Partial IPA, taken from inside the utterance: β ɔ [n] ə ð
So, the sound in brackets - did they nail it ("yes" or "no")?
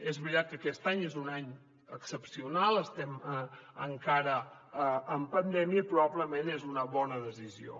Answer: yes